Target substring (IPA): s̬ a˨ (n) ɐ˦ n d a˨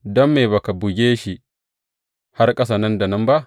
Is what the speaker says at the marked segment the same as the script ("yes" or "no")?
yes